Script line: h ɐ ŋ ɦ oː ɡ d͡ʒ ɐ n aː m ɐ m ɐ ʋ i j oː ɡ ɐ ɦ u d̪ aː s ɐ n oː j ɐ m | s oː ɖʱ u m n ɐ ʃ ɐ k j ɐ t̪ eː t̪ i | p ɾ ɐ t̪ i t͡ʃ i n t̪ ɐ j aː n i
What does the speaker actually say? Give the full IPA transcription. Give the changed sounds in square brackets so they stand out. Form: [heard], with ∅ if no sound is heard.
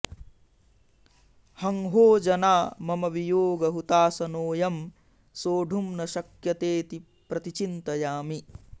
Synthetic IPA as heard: h ɐ ŋ ɦ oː [∅] d͡ʒ ɐ n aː m ɐ m ɐ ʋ i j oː ɡ ɐ ɦ u [t̪] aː s ɐ n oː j ɐ m | s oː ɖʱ u m n ɐ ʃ ɐ k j ɐ t̪ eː t̪ i | p ɾ ɐ t̪ i t͡ʃ i n t̪ ɐ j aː [m] i

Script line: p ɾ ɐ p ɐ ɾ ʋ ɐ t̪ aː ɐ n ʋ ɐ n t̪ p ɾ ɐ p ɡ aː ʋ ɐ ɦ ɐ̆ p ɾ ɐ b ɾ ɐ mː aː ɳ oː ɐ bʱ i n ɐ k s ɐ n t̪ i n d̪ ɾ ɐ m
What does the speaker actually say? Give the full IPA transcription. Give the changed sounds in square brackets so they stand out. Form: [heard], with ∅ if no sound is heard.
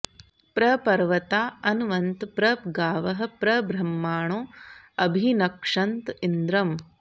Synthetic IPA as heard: p ɾ ɐ p ɐ ɾ ʋ ɐ t̪ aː ɐ n ʋ ɐ n t̪ p ɾ ɐ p ɡ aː ʋ ɐ ɦ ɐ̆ p ɾ ɐ b ɾ ɐ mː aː ɳ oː ɐ bʱ i n ɐ k [ʂ] ɐ n t̪ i n d̪ ɾ ɐ m

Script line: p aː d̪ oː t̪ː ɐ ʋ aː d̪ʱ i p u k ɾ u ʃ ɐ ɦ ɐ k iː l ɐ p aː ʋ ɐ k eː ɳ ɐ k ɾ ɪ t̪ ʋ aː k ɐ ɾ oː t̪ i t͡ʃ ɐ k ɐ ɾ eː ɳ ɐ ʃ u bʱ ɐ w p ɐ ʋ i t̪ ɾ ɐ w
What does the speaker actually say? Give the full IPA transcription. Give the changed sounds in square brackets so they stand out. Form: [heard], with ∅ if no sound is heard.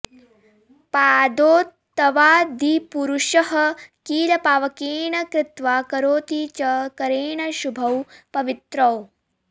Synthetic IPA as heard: p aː d̪ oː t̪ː ɐ ʋ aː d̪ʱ i p u [∅] ɾ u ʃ ɐ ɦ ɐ k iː l ɐ p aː ʋ ɐ k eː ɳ ɐ k ɾ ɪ t̪ ʋ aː k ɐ ɾ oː t̪ i t͡ʃ ɐ k ɐ ɾ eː ɳ ɐ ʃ u bʱ ɐ w p ɐ ʋ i t̪ ɾ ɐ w

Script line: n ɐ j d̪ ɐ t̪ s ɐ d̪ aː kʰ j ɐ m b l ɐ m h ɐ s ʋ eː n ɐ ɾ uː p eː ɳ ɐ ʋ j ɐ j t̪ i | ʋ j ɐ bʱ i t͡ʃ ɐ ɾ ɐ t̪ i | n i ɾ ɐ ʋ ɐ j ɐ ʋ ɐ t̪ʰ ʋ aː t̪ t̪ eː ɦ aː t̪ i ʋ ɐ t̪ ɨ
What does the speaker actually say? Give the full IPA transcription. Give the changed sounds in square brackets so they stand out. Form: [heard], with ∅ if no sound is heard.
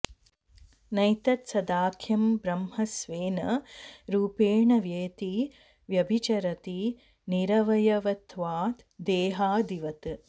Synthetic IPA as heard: n ɐ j [t̪] ɐ t̪ s ɐ d̪ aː kʰ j ɐ m b [ɾ] ɐ m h ɐ s ʋ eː n ɐ ɾ uː p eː ɳ ɐ ʋ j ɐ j t̪ i | ʋ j ɐ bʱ i t͡ʃ ɐ ɾ ɐ t̪ i | n i ɾ ɐ ʋ ɐ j ɐ ʋ ɐ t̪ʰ ʋ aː t̪ [d̪] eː ɦ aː [d̪] i ʋ ɐ t̪ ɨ

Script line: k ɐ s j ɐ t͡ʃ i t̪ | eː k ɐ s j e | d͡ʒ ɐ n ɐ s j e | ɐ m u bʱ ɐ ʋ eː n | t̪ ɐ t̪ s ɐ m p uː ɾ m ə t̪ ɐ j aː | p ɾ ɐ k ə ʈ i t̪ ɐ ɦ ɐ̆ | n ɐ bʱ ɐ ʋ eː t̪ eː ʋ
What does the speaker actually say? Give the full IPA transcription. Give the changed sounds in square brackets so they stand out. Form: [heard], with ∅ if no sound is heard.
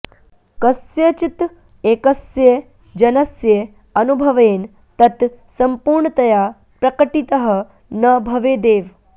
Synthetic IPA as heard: k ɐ s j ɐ t͡ʃ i t̪ | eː k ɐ s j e | d͡ʒ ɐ n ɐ s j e | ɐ [n] u bʱ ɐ ʋ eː n | t̪ ɐ t̪ s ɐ m p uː ɾ [ɳ] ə t̪ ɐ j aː | p ɾ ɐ k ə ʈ i t̪ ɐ ɦ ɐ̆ | n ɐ bʱ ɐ ʋ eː [d̪] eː ʋ

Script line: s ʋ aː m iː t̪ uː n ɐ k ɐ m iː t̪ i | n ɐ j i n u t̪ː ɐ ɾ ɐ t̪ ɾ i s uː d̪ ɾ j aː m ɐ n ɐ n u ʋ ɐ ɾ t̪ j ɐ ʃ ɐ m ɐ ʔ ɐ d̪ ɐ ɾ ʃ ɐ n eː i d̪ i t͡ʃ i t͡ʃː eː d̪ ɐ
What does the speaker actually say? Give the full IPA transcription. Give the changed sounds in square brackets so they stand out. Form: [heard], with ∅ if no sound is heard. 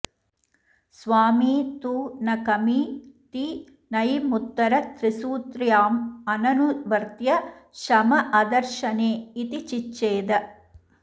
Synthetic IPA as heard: s ʋ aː m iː t̪ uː n ɐ k ɐ m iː t̪ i | n ɐ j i [m] u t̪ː ɐ ɾ ɐ t̪ ɾ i s uː [t̪] ɾ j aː m ɐ n ɐ n u ʋ ɐ ɾ t̪ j ɐ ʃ ɐ m ɐ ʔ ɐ d̪ ɐ ɾ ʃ ɐ n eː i [t̪] i t͡ʃ i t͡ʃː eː d̪ ɐ

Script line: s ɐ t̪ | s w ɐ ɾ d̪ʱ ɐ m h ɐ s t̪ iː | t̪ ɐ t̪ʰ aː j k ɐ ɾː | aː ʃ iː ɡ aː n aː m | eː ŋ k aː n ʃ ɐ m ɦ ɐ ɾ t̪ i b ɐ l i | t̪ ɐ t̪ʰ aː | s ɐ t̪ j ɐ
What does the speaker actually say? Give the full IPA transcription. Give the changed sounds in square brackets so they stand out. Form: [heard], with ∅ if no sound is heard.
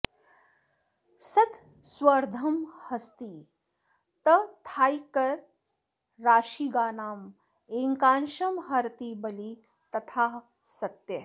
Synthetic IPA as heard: s ɐ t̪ | s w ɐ ɾ d̪ʱ ɐ m h ɐ s t̪ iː | t̪ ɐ t̪ʰ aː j k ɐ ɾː | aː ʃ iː ɡ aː n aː m | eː ŋ k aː n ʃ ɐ m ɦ ɐ ɾ t̪ i b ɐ l i | t̪ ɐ t̪ʰ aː | s ɐ t̪ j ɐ

